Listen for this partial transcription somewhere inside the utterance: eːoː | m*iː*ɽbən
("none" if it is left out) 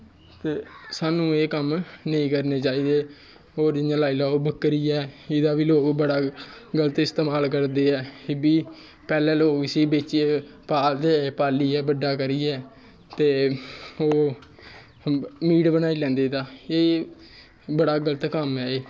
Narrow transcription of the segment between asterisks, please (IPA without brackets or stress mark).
iː